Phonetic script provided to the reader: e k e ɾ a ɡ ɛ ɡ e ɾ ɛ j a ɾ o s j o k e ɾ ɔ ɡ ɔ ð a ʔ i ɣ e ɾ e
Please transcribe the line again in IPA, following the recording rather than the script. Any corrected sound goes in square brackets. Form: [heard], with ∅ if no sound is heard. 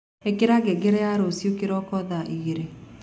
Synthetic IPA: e k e ɾ a ɡ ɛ ɡ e ɾ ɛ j a ɾ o s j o k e ɾ ɔ [k] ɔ ð a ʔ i ɣ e ɾ e